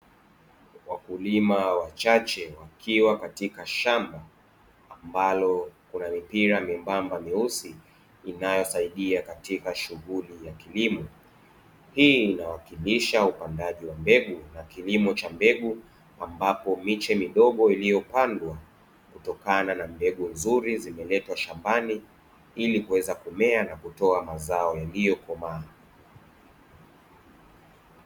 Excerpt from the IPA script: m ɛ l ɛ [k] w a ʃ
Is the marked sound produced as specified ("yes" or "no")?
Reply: no